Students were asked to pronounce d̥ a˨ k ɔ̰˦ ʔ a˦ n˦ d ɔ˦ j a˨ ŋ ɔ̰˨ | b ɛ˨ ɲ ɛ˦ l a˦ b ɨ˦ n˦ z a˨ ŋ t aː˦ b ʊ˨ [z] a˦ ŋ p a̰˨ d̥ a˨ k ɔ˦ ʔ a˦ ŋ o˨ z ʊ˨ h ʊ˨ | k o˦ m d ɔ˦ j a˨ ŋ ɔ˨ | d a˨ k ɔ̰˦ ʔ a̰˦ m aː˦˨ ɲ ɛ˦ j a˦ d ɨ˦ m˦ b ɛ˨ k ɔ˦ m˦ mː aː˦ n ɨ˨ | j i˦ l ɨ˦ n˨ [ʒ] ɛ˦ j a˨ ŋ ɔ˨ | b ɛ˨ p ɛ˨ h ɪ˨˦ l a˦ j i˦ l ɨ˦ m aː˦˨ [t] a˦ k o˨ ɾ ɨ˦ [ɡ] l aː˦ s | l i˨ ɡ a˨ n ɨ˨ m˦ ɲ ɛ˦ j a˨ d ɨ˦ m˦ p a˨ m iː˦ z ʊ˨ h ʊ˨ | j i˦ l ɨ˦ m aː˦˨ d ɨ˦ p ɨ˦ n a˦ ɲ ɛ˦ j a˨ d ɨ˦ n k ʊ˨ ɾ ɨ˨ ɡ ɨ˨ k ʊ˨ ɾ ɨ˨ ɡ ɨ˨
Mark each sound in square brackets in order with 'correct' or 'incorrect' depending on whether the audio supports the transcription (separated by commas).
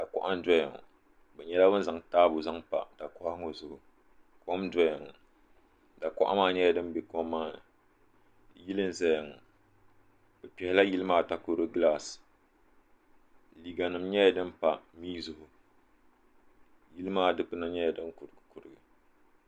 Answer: correct, incorrect, correct, correct